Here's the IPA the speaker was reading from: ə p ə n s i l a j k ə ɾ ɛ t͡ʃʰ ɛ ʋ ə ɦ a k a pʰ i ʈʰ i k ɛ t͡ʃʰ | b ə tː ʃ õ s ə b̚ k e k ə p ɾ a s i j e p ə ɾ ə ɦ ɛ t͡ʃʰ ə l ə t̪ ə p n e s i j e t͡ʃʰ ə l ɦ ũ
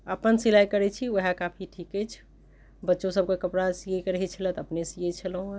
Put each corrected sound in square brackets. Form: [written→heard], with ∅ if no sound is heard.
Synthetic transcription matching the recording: ə p ə n s i l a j k ə ɾ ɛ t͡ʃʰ [ɛ→i] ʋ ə ɦ a k a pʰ i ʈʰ i k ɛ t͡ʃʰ | b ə tː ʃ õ s ə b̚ k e k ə p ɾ a s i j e [p→k] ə ɾ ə ɦ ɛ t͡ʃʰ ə l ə t̪ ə p n e s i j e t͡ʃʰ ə l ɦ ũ